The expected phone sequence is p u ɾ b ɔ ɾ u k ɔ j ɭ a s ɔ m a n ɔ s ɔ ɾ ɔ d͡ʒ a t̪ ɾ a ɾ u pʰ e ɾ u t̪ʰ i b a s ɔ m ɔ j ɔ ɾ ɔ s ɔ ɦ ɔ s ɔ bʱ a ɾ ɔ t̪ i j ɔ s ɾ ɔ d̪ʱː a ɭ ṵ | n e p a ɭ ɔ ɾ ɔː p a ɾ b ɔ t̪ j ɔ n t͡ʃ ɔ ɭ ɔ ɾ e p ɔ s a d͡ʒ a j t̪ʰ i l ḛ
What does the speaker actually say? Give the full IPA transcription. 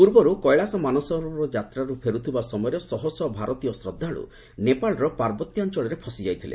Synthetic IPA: p u ɾ b ɔ ɾ u k ɔ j ɭ a s ɔ m a n ɔ s ɔ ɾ ɔ d͡ʒ a t̪ ɾ a ɾ u pʰ e ɾ u t̪ʰ i b a s ɔ m ɔ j ɔ ɾ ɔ s ɔ ɦ ɔ s ɔ bʱ a ɾ ɔ t̪ i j ɔ s ɾ ɔ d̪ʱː a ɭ ṵ | n e p a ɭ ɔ ɾ ɔ p a ɾ b ɔ t̪ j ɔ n t͡ʃ ɔ ɭ ɔ ɾ e pʰ ɔ s i d͡ʒ a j t̪ʰ i l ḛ